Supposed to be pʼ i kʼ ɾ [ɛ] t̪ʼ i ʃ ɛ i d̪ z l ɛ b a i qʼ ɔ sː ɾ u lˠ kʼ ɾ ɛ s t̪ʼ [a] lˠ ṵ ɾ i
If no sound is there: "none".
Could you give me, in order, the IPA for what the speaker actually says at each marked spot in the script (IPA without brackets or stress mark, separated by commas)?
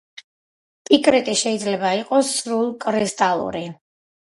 ɛ, a